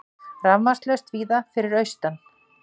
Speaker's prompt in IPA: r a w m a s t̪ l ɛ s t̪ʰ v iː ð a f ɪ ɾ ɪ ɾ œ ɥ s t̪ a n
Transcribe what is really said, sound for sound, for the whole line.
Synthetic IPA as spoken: r a v m a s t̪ l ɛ s t̪ v iː ð a f ɪ ɾ ɪ ɾ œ ɥ s t̪ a n

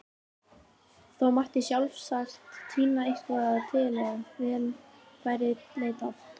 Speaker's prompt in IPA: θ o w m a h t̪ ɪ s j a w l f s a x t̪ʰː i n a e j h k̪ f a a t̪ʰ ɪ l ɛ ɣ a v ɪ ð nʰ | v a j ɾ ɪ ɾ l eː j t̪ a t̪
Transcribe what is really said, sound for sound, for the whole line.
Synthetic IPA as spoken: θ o w m a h t̪ ɪ s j a w l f s a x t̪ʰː iː n a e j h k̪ v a a t̪ʰ ɪ l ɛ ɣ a v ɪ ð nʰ | v a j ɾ ɪ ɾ l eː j t̪ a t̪

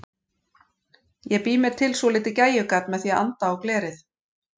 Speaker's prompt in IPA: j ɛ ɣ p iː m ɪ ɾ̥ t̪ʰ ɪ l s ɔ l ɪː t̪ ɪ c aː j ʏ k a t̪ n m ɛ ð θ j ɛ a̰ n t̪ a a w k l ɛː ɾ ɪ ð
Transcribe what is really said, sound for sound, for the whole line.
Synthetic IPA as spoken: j ɛ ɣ p iː m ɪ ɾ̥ t̪ʰ ɪ l s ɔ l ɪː t̪ ɪ c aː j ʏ k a t̪ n m ɛ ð θ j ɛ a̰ n t̪ a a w k l ɛː ɾ ɪ θ

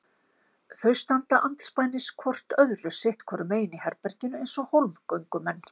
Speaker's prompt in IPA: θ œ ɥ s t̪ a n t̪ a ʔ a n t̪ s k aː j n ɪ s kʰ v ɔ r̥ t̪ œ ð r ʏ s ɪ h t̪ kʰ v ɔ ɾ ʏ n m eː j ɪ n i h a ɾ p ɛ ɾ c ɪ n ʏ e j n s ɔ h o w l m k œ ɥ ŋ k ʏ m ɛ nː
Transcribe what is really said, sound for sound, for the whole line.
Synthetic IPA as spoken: θ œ ɥ s t̪ a n t̪ a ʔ a n t̪ s p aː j n ɪ s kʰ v ɔ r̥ t̪ œ ð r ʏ s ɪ h t̪ kʰ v ɔ ɾ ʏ m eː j ɪ n i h ɛ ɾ p ɛ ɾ c ɪ n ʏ e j n s ɔ h o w l m k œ ɥ ŋ k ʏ m ɛ nː

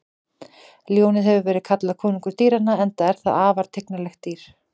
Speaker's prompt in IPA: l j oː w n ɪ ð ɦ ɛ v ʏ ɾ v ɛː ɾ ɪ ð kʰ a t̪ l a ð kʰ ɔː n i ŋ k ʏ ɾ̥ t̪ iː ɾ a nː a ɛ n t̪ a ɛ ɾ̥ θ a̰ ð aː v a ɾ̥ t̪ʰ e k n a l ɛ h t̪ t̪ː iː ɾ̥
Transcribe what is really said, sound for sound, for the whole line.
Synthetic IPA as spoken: l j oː w n ɪ ð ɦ ɛ v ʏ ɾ v ɛː ɾ ɪ ð kʰ a t̪ l a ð kʰ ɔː n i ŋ k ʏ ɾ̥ t̪ iː ɾ a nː a ɛ n t̪ a ɛ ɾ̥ θ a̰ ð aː v a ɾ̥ t̪ʰ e k n a l ɛ x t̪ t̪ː iː ɾ̥

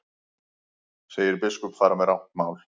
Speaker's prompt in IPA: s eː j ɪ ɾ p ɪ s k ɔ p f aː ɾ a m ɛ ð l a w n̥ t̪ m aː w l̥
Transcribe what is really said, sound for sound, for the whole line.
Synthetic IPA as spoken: s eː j ɪ ɾ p ɪ s k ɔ p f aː ɾ a m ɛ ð ɾ a w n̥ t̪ m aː w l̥

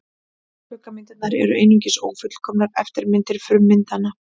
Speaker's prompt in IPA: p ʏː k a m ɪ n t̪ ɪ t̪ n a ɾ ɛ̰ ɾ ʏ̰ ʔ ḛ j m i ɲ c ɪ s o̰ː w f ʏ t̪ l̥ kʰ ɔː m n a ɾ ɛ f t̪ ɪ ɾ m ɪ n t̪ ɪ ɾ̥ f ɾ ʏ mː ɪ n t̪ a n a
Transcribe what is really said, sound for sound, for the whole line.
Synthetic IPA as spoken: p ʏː k a m ɪ n t̪ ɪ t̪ n a ɾ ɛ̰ ɾ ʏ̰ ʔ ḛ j n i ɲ c ɪ s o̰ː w f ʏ t̪ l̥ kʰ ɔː m n a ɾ ɛ f t̪ ɪ ɾ m ɪ n t̪ ɪ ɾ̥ f ɾ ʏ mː ɪ n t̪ a n a

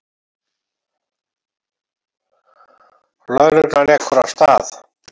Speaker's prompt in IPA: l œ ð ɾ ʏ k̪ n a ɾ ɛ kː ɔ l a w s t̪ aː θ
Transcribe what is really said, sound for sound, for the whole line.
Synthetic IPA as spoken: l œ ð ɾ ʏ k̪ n a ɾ ɛ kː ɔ ɾ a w s t̪ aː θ

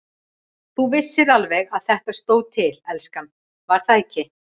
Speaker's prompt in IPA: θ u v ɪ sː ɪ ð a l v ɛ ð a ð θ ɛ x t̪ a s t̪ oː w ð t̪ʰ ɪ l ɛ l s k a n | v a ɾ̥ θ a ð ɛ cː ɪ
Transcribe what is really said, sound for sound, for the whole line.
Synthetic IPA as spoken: θ u v ɪ sː ɪ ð a l v ɛ ɣ a ð θ ɛ h t̪ a s t̪ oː w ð t̪ʰ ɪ l ɛ l s k a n | v a ɾ̥ θ a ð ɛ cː ɪ

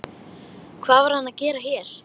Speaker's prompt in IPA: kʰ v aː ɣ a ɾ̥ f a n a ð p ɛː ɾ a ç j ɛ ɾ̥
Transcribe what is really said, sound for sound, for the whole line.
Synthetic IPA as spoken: kʰ v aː v a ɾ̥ h a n a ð c ɛː ɾ a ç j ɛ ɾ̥

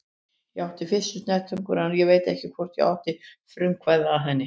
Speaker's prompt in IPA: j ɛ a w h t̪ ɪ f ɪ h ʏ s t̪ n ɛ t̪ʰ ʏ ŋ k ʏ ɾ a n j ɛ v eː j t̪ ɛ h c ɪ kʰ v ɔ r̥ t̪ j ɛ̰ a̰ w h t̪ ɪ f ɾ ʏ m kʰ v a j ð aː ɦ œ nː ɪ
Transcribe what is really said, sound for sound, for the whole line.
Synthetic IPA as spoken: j ɛ a w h t̪ ɪ f ɪ s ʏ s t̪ n ɛ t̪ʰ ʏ ŋ k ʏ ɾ a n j ɛ v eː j t̪ ɛ h c ɪ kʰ v ɔ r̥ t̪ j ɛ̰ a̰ w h t̪ ɪ f ɾ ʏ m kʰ v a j ð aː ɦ ɛ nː ɪ

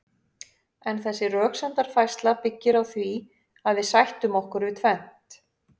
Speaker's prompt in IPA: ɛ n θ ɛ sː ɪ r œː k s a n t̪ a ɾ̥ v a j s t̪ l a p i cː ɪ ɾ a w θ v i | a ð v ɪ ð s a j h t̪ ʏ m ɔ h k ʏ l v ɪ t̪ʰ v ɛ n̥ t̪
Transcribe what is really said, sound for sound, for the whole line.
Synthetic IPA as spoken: ɛ n θ ɛ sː ɪ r œː k s a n t̪ a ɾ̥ f a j s t̪ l a p ɪ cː ɪ ɾ a w θ v i | a ð v ɪ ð s a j h t̪ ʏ m ɔ h k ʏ ɾ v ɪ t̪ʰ v ɛ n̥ t̪

